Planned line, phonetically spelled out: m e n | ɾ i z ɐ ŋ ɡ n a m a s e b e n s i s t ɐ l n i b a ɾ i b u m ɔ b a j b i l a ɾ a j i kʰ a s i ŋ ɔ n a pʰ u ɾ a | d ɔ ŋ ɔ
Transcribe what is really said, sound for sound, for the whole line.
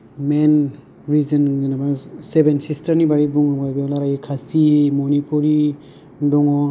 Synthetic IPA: m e n | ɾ i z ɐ n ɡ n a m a s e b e n s i s t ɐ ɾ n i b a ɾ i b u ŋ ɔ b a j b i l a ɾ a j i kʰ a s i m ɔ n i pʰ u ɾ i | d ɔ ŋ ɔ